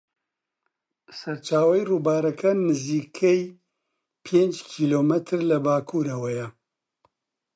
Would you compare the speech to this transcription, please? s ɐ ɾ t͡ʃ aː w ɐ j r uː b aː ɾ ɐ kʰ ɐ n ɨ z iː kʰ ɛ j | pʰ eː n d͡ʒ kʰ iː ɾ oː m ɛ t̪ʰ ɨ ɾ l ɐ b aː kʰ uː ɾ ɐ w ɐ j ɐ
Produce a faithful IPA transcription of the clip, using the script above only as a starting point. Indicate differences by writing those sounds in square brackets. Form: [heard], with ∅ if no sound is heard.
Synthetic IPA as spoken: s ɐ ɾ t͡ʃ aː w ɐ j r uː b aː ɾ ɐ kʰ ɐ n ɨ z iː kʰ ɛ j | pʰ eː n d͡ʒ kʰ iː [l] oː m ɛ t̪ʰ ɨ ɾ l ɐ b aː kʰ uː ɾ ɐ w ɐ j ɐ